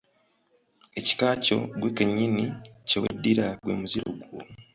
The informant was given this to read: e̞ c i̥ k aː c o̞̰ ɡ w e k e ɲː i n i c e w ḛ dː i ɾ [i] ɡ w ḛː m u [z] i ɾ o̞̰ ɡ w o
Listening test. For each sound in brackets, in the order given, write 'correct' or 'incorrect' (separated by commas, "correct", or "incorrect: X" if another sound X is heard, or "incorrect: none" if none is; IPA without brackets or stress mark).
incorrect: a, correct